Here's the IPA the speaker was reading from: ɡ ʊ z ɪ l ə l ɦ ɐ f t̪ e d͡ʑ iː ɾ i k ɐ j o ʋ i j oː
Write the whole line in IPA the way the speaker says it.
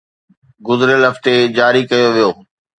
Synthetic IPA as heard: ɡ ʊ z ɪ ɾ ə l ɦ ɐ f t̪ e d͡ʑ aː ɾ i k ɐ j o ʋ i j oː

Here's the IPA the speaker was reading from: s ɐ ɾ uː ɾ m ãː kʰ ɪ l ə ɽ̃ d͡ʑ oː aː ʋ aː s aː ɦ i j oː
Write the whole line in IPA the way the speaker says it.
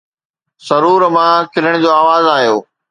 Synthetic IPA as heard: s ɐ ɾ uː ɾ m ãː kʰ ɪ l ə ɽ̃ d͡ʑ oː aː ʋ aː z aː ɦ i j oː

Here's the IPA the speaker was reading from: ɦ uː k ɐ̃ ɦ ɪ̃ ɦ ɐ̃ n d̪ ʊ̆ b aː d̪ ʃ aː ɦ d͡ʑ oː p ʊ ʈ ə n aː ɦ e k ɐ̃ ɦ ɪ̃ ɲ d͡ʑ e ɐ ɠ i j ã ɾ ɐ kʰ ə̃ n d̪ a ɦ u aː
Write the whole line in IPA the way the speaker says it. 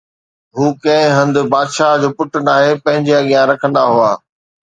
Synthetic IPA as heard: ɦ uː k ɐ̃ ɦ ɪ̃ ɦ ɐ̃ n d̪ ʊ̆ b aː d̪ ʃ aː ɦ d͡ʑ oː p ʊ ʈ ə n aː ɦ e p ɐ̃ ɦ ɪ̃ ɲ d͡ʑ e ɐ ɠ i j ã ɾ ɐ kʰ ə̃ n d̪ a ɦ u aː

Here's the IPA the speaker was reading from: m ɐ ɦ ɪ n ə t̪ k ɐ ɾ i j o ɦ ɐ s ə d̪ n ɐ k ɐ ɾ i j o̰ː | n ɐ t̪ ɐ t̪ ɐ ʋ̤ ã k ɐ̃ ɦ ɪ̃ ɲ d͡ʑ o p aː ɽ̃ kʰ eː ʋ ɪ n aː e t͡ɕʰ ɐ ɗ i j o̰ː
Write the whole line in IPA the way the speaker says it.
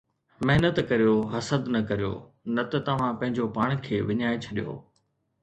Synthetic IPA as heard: m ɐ ɦ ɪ n ə t̪ k ɐ ɾ i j o ɦ ɐ s ə d̪ n ɐ k ɐ ɾ i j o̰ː | n ɐ t̪ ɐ t̪ ɐ ʋ̤ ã p ɐ̃ ɦ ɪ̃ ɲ d͡ʑ o p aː ɽ̃ kʰ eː ʋ ɪ ɲ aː e t͡ɕʰ ɐ ɗ i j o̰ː

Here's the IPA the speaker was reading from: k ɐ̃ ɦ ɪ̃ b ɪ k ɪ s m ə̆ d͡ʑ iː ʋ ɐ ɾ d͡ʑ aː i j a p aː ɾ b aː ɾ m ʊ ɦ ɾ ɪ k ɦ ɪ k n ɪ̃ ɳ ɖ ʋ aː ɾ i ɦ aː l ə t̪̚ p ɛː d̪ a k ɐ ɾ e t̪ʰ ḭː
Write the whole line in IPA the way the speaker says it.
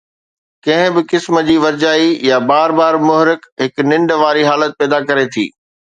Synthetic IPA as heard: k ɐ̃ ɦ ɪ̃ b ɪ k ɪ s m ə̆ d͡ʑ iː ʋ ɐ ɾ d͡ʑ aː i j a b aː ɾ b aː ɾ m ʊ ɦ ɾ ɪ k ɦ ɪ k n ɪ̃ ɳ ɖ ʋ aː ɾ i ɦ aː l ə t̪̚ p ɛː d̪ a k ɐ ɾ e t̪ʰ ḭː

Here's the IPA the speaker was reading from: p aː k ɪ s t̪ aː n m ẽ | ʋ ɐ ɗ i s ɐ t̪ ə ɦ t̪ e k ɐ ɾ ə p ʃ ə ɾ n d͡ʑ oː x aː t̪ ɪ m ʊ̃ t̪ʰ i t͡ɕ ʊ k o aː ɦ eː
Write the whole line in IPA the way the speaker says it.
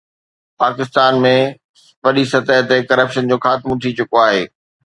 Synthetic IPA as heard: p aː k ɪ s t̪ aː n m ẽ | ʋ ɐ ɗ i s ɐ t̪ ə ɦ t̪ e k ɐ ɾ ə p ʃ ə n d͡ʑ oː x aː t̪ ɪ m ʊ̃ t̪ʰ i t͡ɕ ʊ k o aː ɦ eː

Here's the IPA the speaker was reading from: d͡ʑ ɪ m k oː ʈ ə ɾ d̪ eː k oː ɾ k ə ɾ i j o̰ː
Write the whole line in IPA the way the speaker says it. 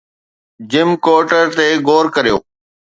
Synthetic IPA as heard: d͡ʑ ɪ m k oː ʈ ə ɾ t̪ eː ɡ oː ɾ k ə ɾ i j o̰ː

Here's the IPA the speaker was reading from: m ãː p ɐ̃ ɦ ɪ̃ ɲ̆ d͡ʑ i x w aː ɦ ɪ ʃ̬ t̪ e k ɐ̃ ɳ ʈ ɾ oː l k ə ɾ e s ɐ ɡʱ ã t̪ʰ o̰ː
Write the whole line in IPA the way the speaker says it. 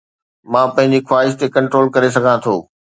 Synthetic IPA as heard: m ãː p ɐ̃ ɦ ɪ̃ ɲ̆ d͡ʑ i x w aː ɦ ɪ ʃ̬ t̪ e k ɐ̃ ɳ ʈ ɾ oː l k ɐ ɾ e s ɐ ɡʱ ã t̪ʰ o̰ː

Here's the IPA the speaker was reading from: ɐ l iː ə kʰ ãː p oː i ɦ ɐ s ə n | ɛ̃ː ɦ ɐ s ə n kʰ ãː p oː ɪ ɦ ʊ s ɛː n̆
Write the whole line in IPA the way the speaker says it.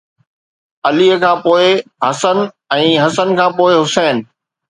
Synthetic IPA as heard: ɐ l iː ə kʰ ãː p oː ɪ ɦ ɐ s ə n | ɛ̃ː ɦ ɐ s ə n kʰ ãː p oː ɪ ɦ ʊ s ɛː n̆

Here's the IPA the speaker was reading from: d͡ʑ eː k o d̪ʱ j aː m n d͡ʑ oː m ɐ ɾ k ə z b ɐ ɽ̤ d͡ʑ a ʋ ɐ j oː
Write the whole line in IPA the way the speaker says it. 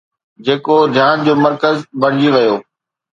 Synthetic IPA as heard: d͡ʑ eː k o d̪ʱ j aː n d͡ʑ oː m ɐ ɾ k ə z b ɐ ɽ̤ d͡ʑ i ʋ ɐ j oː

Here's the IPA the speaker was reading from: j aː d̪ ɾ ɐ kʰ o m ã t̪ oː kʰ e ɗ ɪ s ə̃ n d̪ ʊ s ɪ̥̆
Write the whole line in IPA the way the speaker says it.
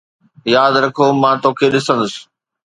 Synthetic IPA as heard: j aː d̪ ɾ ɐ kʰ o m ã t̪ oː kʰ e ɗ ɪ s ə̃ n d̪ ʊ s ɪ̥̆

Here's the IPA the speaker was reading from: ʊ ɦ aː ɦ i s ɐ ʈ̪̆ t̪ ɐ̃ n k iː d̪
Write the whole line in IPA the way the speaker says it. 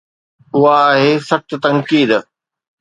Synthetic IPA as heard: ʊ ɦ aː ɦ e s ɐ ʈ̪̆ t̪ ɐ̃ ŋ k iː d̪

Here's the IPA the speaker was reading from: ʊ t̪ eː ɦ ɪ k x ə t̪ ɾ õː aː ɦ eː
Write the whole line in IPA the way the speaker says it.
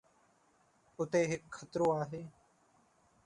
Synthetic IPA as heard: ʊ t̪ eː ɦ ɪ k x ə t̪ ɾ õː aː ɦ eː

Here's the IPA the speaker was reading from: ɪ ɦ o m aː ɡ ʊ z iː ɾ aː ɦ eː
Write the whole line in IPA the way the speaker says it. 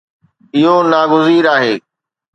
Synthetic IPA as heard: ɪ ɦ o n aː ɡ ʊ z iː ɾ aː ɦ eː

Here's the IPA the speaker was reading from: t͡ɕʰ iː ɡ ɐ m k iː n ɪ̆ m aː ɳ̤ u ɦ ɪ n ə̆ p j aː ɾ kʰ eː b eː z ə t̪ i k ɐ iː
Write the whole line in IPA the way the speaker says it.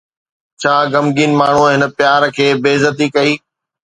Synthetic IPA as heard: t͡ɕʰ aː ɡ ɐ m ɡ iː n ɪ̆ m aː ɳ̤ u ɦ ɪ n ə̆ p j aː ɾ kʰ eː b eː z ə t̪ i k ɐ iː

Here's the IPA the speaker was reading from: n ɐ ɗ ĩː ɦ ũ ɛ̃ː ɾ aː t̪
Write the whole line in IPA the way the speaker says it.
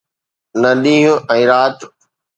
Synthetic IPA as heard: n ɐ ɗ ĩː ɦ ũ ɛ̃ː ɾ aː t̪

